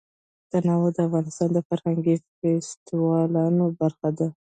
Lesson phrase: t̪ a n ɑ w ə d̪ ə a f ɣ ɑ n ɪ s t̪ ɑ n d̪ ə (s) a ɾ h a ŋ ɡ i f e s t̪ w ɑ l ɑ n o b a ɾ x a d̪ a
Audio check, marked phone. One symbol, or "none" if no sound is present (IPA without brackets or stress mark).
f